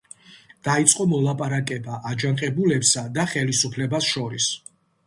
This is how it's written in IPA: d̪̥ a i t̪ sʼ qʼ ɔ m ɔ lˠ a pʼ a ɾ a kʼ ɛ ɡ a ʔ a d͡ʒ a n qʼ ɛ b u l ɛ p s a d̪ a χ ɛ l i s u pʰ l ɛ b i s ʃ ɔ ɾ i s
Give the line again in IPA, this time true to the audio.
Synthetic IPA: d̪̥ a i t̪ sʼ qʼ ɔ m ɔ lˠ a pʼ a ɾ a kʼ ɛ b a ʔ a d͡ʒ a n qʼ ɛ b u l ɛ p s a d̪ a χ ɛ l i s u pʰ l ɛ b a s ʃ ɔ ɾ i s